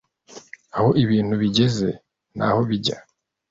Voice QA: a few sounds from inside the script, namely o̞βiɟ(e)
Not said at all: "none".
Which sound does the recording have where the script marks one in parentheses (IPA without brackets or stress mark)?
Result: a